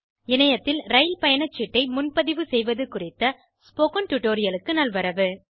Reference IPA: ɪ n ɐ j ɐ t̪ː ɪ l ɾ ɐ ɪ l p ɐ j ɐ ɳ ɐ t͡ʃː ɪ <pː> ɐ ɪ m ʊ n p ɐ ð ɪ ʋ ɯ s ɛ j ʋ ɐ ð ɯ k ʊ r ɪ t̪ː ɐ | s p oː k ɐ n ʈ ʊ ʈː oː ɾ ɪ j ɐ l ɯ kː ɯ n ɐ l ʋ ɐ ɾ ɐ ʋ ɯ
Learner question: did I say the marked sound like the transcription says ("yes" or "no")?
no